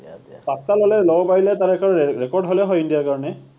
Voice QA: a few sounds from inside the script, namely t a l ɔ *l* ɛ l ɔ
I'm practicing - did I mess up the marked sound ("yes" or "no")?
no